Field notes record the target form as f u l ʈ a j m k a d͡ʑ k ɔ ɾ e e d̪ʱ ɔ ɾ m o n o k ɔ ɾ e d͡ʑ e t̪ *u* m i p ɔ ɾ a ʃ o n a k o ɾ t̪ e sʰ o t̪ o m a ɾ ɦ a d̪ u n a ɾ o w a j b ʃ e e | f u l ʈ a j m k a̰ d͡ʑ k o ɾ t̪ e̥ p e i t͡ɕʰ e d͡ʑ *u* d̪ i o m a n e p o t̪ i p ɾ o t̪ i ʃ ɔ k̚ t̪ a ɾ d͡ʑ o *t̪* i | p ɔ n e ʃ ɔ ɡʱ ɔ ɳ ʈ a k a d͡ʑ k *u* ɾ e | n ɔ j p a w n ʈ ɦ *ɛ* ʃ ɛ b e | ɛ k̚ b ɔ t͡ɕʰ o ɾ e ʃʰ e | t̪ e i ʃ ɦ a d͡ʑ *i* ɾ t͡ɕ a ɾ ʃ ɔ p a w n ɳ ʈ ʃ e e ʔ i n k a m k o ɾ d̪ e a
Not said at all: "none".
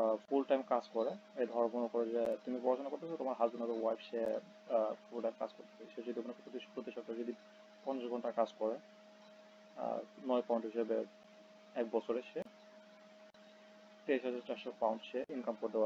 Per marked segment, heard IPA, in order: u, o, d̪, ɔ, i, a

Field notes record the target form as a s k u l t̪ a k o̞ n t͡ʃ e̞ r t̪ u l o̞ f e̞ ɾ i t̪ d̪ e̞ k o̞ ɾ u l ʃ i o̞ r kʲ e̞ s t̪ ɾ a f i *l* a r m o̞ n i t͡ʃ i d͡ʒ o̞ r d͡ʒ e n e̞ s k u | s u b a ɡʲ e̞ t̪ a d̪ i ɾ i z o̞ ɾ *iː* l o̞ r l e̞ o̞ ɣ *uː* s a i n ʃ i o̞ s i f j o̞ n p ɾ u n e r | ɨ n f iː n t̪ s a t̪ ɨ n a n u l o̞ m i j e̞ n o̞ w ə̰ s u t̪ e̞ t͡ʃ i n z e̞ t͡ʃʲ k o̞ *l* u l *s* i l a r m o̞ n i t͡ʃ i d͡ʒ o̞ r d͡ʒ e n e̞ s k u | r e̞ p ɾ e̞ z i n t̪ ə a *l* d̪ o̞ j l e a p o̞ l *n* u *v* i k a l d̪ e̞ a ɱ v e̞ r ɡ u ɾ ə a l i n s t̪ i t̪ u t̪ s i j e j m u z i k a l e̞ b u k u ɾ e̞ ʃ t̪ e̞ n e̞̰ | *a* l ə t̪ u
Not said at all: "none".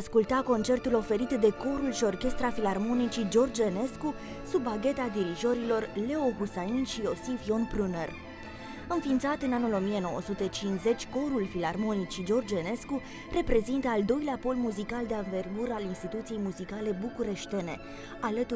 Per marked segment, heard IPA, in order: l, i, u, ɾ, f, l, m, z, a

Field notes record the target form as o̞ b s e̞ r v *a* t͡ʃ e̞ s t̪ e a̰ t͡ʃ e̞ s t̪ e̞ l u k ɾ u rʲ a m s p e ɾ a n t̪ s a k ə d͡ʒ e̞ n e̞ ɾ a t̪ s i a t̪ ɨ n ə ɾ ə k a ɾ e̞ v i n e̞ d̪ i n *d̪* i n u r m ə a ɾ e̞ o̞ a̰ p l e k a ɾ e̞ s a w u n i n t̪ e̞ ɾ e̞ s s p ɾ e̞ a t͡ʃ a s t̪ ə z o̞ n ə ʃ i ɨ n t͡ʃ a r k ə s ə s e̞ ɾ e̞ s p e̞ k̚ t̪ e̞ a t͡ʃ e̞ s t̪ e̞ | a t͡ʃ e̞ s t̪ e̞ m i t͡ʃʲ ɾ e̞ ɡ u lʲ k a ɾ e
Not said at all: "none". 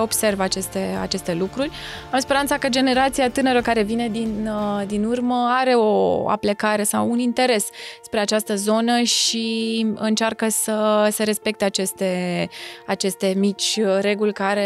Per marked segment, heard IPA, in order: a, d̪

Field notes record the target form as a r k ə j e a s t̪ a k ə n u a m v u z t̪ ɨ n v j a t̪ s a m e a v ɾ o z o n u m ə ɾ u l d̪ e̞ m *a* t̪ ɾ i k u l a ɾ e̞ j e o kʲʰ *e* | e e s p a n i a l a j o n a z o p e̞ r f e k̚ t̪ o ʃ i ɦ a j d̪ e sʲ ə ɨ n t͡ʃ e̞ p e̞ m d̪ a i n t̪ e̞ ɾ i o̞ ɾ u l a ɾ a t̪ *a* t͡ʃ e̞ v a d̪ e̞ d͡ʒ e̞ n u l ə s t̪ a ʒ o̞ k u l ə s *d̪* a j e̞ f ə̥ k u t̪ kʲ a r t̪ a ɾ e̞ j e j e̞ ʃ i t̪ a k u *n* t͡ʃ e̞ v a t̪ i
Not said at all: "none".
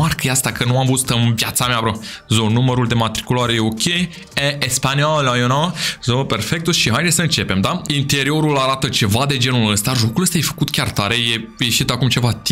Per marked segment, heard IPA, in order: a, e, ə, t̪, m

